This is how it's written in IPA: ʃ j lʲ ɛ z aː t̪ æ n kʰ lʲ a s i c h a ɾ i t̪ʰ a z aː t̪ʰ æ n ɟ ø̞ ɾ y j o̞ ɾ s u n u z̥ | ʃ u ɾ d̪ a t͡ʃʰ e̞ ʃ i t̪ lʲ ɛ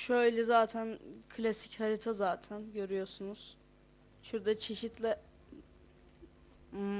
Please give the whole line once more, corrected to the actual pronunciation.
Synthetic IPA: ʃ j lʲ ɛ z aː t̪ʰ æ n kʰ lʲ a s i c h a ɾ i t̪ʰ a z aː t̪ʰ æ n ɟ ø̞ ɾ y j o̞ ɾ s u n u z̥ | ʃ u ɾ d̪ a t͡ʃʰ e̞ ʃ i t̪ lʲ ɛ